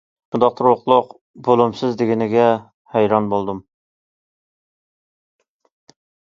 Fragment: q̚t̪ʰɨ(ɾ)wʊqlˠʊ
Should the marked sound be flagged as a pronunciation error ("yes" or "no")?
no